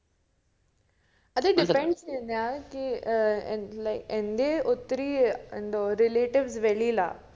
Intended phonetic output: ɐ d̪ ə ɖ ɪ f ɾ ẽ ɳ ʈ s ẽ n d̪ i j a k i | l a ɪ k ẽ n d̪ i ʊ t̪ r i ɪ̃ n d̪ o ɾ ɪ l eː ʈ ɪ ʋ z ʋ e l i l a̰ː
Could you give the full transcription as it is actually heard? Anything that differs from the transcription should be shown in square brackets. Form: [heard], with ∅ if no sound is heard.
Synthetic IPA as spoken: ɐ d̪ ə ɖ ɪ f ɾ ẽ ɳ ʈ s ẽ n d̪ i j a k i | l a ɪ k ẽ n d̪ [e] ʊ t̪ [ɾ] i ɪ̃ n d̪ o ɾ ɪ l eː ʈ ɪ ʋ z ʋ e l i l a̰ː